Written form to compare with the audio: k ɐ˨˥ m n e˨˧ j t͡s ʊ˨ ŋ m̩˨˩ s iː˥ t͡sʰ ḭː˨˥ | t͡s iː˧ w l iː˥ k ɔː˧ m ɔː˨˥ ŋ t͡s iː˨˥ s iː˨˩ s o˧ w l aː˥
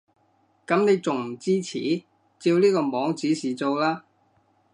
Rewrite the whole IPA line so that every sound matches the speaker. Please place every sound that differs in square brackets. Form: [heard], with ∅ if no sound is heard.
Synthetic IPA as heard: k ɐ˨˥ m n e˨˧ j t͡s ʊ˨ ŋ m̩˨˩ [t͡s] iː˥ t͡sʰ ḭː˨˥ | t͡s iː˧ w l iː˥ k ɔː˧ m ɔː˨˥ ŋ t͡s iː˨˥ s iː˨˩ [t͡s] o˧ w l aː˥